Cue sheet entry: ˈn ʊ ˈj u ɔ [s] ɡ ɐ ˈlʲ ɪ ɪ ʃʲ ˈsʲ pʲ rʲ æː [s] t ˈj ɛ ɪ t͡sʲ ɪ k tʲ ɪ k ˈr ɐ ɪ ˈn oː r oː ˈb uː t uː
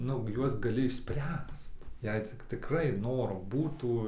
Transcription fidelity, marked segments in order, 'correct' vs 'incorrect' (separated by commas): correct, correct